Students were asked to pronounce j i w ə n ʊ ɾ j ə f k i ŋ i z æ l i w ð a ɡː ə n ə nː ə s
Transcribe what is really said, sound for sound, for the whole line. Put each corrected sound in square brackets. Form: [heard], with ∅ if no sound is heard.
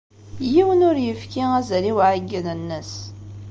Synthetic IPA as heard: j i w ə n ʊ ɾ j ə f k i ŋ [æ] z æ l i w [ʕ] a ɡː ə n ə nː ə s